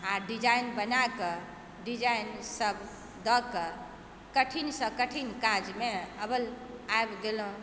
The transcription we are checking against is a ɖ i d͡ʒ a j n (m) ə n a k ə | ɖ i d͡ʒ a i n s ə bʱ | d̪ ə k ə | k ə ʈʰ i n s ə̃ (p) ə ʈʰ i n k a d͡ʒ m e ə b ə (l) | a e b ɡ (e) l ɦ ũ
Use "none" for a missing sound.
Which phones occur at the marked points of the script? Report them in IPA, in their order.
b, k, l, e

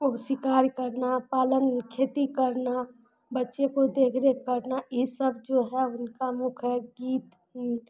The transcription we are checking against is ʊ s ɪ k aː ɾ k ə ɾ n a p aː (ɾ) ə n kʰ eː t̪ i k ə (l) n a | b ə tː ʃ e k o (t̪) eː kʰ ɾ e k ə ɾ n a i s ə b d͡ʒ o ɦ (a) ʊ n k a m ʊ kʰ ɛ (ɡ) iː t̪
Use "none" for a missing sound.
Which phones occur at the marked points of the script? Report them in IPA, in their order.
l, ɾ, d̪, ɛ, ɡ

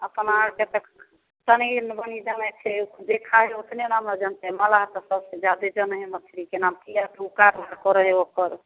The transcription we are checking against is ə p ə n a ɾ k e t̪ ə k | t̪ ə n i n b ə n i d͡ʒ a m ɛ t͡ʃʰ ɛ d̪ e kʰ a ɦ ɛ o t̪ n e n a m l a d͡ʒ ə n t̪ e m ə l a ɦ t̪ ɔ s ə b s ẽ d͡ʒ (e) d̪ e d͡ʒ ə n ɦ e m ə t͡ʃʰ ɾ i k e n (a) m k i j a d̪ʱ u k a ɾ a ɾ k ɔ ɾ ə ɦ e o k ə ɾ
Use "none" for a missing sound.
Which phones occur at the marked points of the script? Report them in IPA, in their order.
a, a

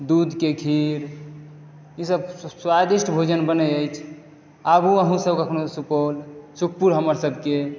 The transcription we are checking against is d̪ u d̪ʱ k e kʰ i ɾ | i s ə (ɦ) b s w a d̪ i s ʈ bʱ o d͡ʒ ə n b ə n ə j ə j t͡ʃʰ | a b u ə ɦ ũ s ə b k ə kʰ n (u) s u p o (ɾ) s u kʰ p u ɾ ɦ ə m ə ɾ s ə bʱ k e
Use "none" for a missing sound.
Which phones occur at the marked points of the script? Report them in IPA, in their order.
none, o, l

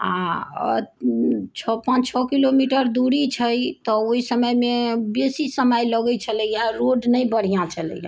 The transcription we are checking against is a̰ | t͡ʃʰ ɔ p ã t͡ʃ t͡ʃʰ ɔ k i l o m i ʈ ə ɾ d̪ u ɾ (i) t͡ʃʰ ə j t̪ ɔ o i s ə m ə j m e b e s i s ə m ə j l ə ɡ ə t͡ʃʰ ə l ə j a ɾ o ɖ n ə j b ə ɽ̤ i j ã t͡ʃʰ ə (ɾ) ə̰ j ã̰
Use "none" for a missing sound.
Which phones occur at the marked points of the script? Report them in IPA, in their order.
i, l

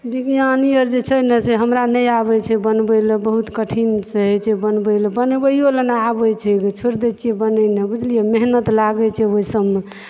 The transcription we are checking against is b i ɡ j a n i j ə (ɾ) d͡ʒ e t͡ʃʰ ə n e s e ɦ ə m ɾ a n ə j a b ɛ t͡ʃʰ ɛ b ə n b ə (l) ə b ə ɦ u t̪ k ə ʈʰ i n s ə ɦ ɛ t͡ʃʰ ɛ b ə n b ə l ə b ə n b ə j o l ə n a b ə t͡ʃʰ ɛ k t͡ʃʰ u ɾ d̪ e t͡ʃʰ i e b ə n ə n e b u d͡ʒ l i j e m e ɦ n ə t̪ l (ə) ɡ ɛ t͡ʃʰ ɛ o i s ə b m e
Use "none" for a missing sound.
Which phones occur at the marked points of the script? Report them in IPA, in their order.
ɾ, l, a

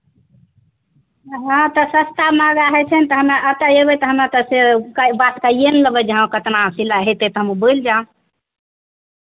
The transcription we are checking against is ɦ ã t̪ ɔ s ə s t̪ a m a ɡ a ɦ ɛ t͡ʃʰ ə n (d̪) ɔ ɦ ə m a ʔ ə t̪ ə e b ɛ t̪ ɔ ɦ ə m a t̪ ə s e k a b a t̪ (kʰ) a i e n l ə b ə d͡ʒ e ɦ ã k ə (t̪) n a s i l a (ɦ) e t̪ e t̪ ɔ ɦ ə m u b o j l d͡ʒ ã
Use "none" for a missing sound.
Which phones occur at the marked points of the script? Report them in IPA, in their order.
t̪, k, t̪, ɦ

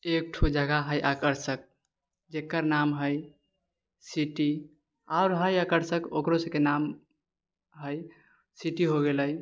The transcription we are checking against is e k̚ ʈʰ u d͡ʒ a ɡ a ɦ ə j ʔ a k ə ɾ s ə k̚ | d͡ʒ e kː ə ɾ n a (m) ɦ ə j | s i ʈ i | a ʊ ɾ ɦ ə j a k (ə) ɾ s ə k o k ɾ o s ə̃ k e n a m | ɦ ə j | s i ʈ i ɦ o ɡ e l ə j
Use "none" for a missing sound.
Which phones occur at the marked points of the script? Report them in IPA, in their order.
m, ə

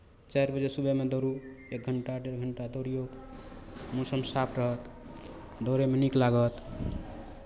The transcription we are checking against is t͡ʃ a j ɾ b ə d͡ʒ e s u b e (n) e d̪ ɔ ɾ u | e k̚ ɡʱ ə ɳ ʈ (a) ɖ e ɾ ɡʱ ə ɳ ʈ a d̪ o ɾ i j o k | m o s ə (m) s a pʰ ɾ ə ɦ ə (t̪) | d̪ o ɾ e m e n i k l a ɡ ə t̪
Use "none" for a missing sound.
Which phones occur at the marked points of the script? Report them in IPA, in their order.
m, a, m, t̪

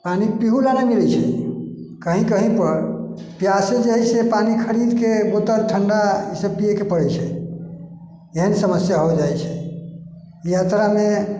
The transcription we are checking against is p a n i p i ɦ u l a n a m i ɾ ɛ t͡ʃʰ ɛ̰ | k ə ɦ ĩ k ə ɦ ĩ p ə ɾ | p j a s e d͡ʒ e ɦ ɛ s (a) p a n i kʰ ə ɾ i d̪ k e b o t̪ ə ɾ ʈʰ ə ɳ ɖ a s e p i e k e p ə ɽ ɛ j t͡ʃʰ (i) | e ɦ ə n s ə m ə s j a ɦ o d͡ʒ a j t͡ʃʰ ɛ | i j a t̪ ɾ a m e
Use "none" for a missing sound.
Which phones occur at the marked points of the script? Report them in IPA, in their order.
e, ɛ

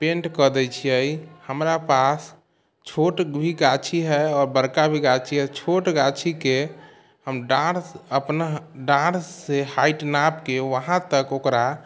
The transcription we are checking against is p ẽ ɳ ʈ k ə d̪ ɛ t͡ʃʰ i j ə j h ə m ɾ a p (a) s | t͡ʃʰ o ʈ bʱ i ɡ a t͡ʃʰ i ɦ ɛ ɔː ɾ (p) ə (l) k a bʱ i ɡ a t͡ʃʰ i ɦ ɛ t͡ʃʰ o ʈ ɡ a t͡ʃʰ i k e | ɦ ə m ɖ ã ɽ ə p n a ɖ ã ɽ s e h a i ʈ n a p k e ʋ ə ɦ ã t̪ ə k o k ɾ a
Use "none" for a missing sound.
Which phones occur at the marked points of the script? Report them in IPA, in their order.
a, b, ɾ

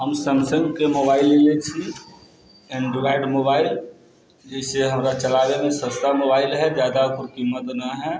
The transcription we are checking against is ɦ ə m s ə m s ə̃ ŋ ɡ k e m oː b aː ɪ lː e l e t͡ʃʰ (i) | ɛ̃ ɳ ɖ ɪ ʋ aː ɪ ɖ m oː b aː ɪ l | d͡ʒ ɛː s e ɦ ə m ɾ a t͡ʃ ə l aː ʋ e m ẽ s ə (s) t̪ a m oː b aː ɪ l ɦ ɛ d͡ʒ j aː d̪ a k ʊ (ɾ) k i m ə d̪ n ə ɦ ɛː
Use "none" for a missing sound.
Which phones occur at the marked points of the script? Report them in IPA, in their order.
i, s, ɾ

